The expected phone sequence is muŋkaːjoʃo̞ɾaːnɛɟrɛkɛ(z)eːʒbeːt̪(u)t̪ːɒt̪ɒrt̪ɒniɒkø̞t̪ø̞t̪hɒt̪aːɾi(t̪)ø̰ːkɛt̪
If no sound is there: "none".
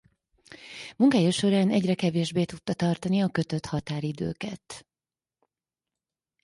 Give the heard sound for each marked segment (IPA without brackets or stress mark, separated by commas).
v, u, d̪